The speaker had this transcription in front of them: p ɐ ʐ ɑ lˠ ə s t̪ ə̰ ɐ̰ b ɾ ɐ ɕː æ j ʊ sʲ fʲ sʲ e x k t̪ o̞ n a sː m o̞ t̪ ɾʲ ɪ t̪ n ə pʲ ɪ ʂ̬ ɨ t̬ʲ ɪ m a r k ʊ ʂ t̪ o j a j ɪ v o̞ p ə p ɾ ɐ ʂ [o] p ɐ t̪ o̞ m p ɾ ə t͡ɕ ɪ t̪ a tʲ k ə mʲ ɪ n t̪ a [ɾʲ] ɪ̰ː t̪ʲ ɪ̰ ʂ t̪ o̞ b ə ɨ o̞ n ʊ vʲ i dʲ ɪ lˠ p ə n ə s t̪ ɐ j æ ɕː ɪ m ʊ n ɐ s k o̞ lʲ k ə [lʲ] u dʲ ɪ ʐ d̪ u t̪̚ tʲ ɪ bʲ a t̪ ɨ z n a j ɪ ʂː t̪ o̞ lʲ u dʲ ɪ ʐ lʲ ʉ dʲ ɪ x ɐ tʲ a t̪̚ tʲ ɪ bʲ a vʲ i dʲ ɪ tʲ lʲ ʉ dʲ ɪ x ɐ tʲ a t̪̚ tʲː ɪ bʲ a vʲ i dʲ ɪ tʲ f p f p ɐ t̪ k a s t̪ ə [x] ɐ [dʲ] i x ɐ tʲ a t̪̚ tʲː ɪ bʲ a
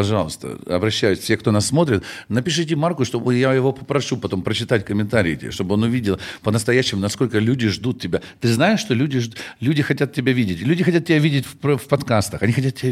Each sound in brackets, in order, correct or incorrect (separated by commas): incorrect, correct, correct, correct, incorrect